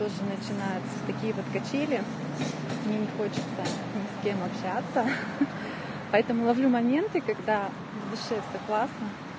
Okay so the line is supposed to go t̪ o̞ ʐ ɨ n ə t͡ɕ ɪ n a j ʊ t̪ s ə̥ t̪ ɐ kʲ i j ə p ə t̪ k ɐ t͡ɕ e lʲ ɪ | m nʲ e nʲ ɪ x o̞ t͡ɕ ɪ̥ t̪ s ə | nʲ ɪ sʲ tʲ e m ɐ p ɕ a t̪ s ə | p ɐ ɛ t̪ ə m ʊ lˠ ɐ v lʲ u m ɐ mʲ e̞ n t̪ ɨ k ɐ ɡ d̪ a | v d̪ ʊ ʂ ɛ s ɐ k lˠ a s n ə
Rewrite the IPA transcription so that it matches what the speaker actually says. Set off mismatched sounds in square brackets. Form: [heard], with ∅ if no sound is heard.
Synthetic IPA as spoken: t̪ o̞ ʐ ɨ n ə t͡ɕ ɪ n a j ʊ t̪ s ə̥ t̪ ɐ kʲ i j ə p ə t̪ k ɐ t͡ɕ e lʲ ɪ | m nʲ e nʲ ɪ x o̞ t͡ɕ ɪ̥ t̪ s ə | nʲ ɪ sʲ [kʲ] e m ɐ p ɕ a t̪ s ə | p ɐ ɛ t̪ ə m ʊ lˠ ɐ v lʲ u m ɐ mʲ e̞ n t̪ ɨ k ɐ ɡ d̪ a | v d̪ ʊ ʂ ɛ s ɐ k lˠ a s n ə